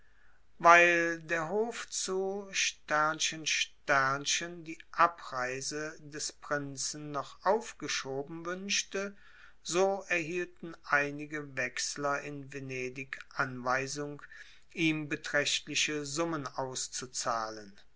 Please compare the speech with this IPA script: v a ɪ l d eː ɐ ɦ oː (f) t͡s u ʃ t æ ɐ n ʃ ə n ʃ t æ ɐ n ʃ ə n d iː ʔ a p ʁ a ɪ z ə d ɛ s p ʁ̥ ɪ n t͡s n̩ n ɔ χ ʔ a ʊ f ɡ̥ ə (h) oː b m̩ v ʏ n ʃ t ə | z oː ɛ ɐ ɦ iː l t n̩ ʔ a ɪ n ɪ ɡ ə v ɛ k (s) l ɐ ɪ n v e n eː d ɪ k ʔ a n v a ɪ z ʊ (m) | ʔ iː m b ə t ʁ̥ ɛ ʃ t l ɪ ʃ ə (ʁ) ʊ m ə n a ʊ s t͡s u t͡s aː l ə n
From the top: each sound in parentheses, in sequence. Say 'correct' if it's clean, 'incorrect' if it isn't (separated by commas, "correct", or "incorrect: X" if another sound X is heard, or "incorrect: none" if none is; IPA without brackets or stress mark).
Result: correct, incorrect: ʃ, correct, incorrect: ŋ, incorrect: z